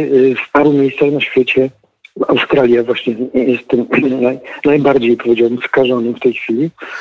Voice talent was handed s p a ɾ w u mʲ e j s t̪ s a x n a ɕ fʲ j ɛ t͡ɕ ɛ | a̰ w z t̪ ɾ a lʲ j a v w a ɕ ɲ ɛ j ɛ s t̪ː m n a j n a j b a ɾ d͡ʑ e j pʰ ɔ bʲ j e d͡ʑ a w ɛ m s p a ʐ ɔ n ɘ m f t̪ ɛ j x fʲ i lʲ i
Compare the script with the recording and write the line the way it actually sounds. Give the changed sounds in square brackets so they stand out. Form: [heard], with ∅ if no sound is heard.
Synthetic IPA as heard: s p a ɾ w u mʲ e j s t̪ s a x n a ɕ fʲ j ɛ t͡ɕ ɛ | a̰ w [s] t̪ ɾ a lʲ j a v w a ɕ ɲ ɛ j ɛ s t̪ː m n a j n a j b a ɾ d͡ʑ e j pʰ ɔ [vʲ] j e d͡ʑ a w ɛ m s [k] a ʐ ɔ n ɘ m f t̪ ɛ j x fʲ i lʲ i